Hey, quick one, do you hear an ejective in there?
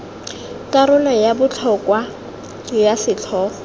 no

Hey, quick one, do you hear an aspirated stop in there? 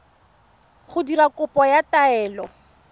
no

